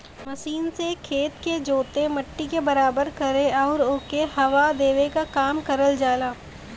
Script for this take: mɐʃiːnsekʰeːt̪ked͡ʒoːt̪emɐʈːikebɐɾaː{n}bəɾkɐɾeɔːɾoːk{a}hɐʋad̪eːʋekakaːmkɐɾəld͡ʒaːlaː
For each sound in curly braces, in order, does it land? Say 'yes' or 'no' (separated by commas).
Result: no, no